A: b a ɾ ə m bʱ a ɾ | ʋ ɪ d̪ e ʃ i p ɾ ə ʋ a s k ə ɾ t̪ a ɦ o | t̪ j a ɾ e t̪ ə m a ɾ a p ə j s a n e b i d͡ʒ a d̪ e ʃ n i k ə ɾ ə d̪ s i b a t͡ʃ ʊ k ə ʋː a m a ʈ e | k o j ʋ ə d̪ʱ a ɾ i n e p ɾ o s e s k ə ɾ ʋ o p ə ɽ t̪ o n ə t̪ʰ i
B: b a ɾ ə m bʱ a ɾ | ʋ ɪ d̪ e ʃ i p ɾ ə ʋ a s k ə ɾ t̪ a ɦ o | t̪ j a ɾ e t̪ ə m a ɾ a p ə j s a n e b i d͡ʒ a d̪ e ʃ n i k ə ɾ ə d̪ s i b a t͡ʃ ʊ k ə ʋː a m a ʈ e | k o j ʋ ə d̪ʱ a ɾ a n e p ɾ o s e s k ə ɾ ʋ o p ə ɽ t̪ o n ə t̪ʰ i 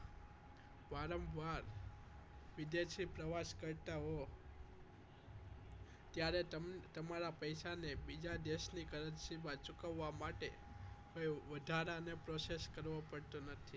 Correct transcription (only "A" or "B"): B